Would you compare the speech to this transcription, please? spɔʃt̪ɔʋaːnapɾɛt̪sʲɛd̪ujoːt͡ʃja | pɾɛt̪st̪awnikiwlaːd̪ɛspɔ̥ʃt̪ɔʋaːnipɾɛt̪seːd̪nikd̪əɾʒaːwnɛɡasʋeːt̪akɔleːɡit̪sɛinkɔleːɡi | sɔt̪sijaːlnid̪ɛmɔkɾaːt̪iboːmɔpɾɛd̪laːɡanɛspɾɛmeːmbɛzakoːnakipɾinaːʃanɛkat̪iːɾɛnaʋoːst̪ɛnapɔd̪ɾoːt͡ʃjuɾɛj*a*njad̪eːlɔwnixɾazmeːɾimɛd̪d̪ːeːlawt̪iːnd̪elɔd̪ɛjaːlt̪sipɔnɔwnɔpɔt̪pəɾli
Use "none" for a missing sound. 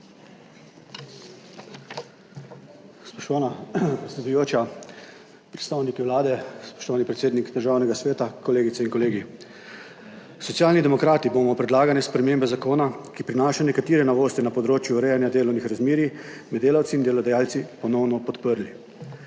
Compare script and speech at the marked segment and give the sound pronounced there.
a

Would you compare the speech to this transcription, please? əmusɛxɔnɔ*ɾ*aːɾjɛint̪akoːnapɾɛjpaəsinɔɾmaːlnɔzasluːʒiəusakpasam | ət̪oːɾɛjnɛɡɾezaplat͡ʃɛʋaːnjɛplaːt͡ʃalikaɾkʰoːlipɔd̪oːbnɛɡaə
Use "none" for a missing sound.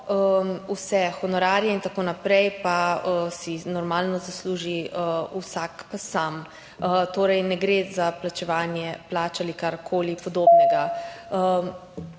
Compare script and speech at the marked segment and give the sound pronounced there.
ɾ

